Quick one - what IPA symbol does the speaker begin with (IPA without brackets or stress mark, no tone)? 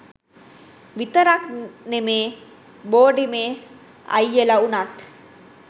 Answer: ʋ